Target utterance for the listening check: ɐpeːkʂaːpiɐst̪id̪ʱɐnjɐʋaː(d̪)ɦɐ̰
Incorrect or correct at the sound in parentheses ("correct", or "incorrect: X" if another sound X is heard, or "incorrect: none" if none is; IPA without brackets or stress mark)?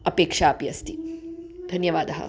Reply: correct